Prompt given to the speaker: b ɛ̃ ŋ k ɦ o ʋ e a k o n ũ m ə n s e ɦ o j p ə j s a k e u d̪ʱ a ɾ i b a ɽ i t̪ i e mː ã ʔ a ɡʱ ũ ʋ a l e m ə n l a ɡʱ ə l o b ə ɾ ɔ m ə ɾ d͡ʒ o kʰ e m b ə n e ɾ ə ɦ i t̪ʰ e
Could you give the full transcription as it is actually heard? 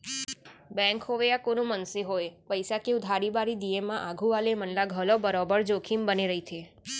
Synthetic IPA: b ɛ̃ ŋ k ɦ o ʋ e a k o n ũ m ə n s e ɦ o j p ə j s a k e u d̪ʱ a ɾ i b a ɾ i d̪ i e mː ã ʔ a ɡʱ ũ ʋ a l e m ə n l a ɡʱ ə l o b ə ɾ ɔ b ə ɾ d͡ʒ o kʰ i m b ə n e ɾ ə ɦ i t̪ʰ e